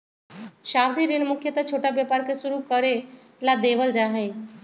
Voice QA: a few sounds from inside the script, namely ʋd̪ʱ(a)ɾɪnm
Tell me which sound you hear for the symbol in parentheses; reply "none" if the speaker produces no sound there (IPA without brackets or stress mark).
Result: i